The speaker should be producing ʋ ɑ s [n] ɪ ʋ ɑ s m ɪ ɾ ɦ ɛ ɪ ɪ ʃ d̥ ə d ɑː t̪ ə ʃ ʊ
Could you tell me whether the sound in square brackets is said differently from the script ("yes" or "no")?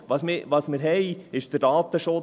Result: yes